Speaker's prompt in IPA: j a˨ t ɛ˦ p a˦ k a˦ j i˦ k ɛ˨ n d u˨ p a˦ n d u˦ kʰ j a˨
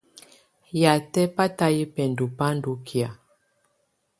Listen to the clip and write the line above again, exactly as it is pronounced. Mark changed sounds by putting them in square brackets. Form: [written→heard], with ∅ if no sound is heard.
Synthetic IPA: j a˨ t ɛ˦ p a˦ [k→t] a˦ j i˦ [k→p] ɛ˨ n d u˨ p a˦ n d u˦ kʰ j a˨